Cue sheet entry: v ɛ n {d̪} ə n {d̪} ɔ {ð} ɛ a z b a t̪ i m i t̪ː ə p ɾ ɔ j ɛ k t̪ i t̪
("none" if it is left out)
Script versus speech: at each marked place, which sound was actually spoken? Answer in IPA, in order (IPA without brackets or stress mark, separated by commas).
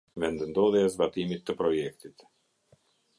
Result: d̪, d̪, ð